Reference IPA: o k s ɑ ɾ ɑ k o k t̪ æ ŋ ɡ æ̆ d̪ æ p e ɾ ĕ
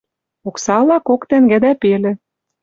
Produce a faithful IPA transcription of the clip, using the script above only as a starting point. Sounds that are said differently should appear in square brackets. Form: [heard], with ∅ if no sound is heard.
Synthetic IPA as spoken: o k s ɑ [l] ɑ k o k t̪ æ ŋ ɡ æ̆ d̪ æ p e [l] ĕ

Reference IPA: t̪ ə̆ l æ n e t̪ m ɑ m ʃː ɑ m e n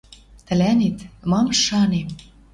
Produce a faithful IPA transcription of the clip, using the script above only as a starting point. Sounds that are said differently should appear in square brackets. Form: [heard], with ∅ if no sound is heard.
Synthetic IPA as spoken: t̪ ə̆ l æ n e t̪ m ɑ m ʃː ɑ [n] e [m]

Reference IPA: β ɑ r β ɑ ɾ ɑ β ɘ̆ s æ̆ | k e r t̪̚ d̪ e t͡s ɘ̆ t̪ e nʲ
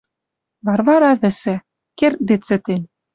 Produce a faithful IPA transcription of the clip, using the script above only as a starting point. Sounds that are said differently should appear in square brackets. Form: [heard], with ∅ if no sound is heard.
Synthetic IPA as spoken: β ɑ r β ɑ ɾ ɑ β ɘ̆ s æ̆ | k e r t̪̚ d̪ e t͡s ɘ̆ t̪ e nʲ

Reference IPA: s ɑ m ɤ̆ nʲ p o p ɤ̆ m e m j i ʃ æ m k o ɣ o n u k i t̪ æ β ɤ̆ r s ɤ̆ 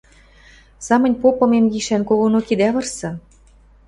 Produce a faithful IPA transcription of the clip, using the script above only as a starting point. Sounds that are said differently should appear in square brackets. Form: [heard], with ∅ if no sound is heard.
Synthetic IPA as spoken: s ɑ m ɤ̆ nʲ p o p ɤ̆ m e m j i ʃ æ [n] k o ɣ o n [o] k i [d̪] æ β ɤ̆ r s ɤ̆

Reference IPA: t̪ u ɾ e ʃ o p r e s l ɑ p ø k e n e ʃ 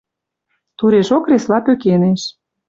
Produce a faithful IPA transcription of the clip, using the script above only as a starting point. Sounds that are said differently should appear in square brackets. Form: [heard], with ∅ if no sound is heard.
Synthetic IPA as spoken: t̪ u ɾ e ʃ o [k] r e s l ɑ p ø k e n e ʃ

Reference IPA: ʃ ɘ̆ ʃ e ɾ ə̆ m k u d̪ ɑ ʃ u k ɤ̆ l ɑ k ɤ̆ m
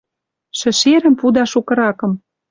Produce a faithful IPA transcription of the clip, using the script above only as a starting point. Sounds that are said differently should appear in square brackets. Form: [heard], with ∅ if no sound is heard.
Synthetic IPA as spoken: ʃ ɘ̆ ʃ e ɾ ə̆ m [p] u d̪ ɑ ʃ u k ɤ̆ [ɾ] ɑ k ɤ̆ m

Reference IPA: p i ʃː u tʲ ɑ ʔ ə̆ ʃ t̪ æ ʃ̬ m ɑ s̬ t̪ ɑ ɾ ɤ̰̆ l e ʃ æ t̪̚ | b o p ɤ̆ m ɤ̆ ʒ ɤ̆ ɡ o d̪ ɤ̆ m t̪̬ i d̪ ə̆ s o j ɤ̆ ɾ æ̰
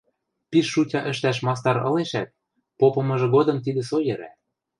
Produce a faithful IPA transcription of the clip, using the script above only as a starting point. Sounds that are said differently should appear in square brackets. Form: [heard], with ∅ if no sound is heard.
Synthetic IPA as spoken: p i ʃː u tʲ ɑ ʔ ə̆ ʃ t̪ æ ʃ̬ m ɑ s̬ t̪ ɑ ɾ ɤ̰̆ l e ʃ æ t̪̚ | [p] o p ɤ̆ m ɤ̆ ʒ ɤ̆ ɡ o d̪ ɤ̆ m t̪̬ i d̪ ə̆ s o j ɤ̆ ɾ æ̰

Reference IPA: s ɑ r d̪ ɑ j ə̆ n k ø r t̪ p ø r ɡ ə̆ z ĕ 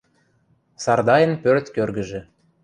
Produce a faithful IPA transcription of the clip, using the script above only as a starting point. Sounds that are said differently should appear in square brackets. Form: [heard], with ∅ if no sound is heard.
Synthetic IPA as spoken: s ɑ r d̪ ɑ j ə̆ n [p] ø r t̪ [k] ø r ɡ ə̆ [ʒ] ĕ

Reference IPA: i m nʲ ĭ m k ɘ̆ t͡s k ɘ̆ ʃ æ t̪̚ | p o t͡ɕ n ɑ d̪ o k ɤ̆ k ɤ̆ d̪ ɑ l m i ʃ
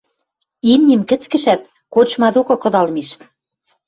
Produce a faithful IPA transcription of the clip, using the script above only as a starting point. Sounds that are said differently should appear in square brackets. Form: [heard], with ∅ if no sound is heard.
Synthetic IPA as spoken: i m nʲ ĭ m k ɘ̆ t͡s k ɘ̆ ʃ æ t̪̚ | [k] o t͡ɕ [m] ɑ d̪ o k ɤ̆ k ɤ̆ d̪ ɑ l m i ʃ

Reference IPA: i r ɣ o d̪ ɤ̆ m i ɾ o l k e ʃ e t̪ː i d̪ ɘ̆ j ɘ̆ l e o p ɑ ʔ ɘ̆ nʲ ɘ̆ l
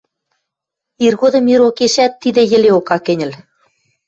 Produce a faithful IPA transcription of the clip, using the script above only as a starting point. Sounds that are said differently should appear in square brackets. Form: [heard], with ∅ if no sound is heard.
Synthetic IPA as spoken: i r ɣ o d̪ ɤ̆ m i ɾ o [∅] k e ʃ [æ] t̪ː i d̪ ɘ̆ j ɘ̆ l e o [k] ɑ [k] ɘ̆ nʲ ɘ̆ l

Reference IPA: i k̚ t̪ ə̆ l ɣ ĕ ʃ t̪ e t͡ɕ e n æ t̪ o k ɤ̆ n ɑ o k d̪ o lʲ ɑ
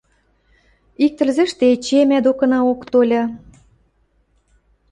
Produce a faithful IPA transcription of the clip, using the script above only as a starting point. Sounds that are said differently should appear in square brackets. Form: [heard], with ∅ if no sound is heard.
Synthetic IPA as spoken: i k̚ t̪ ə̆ l [z] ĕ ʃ t̪ e t͡ɕ e [m] æ [d̪] o k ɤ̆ n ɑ o k [t̪] o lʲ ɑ

